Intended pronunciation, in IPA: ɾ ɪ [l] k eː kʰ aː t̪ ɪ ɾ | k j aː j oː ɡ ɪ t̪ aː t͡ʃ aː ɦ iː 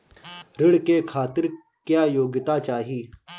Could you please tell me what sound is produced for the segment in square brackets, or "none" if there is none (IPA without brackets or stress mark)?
ɽ